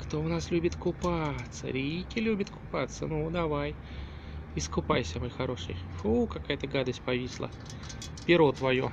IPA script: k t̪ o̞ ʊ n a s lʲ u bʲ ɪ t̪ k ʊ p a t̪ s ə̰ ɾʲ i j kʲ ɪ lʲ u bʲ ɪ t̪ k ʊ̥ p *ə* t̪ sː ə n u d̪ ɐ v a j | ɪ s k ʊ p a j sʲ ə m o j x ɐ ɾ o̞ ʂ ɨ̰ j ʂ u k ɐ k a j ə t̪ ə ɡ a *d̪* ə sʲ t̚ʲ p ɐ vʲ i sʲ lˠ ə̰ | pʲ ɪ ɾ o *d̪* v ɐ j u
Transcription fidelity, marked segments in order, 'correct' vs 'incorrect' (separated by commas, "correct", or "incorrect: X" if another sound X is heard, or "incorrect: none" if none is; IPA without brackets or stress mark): incorrect: a, correct, incorrect: t̪